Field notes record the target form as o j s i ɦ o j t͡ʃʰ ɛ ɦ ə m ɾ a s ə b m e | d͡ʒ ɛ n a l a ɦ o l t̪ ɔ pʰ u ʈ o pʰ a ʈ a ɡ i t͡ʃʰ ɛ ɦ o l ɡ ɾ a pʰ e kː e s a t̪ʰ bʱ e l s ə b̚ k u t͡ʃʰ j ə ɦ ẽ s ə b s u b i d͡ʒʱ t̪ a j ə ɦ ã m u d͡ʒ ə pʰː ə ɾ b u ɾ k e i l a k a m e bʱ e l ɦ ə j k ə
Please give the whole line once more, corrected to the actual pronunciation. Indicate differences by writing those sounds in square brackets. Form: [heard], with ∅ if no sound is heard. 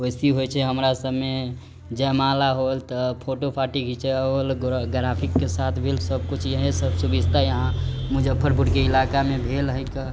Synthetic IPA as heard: o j s i ɦ o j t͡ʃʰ ɛ ɦ ə m ɾ a s ə b m e | d͡ʒ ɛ [m] a l a ɦ o l t̪ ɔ pʰ [o] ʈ o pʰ a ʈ [i] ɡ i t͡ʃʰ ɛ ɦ o l ɡ ɾ a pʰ [i] kː e s a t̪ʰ bʱ e l s ə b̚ k u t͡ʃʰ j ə ɦ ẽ s ə b s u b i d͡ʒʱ t̪ a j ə ɦ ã m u d͡ʒ ə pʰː ə ɾ b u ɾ k e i l a k a m e bʱ e l ɦ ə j k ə